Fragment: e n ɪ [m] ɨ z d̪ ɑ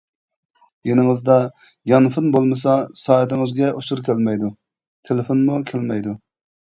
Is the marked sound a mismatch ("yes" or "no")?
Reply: yes